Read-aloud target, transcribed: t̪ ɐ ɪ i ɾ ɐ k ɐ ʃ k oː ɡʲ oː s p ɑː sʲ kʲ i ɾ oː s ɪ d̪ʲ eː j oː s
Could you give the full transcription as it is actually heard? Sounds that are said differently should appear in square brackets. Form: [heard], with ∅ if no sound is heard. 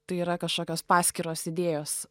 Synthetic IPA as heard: t̪ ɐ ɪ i ɾ ɐ k ɐ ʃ k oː [kʲ] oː s p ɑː sʲ kʲ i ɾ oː s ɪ d̪ʲ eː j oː s